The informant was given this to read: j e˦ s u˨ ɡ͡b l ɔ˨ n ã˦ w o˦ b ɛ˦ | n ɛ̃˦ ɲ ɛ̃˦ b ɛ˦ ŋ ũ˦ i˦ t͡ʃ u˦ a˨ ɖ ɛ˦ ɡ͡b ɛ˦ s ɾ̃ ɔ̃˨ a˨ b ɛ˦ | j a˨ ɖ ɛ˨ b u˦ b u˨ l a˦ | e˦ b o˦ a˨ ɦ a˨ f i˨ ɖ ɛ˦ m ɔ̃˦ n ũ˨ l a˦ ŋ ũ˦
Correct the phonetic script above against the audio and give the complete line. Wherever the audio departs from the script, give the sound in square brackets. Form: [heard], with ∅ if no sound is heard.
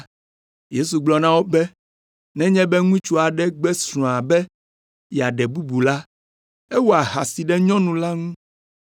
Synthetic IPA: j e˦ s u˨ ɡ͡b l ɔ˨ n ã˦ w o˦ b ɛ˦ | n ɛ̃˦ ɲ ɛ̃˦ b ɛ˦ ŋ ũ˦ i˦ t͡ʃ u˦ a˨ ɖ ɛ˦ ɡ͡b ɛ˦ s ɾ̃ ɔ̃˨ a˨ b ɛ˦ | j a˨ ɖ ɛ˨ b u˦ b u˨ l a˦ | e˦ [w] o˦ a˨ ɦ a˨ [s] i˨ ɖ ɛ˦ [ɲ] ɔ̃˦ n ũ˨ l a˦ ŋ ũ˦